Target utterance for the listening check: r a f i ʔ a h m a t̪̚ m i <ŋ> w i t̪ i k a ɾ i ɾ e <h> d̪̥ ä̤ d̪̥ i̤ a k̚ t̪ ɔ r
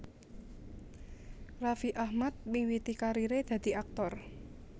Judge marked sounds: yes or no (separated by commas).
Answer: yes, no